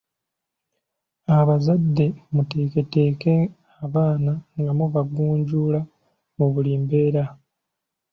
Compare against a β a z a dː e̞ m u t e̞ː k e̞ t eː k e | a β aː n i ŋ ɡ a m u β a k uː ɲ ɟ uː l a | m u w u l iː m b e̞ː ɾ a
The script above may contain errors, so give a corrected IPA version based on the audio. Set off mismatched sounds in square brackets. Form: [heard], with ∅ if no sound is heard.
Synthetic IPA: a β a z a dː e̞ m u t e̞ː k e̞ t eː k e | a β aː n [a] ŋ ɡ a m u β a [ɡ] uː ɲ ɟ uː l a | m u [β] u l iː m b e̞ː ɾ a